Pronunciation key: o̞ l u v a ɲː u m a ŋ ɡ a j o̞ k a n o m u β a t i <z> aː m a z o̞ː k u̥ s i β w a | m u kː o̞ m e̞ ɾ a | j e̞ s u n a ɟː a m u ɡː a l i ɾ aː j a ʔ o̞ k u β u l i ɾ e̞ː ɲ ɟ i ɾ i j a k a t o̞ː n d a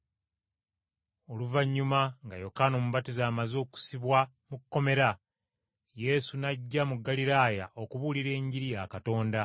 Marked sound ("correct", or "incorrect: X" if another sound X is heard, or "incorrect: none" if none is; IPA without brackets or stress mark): correct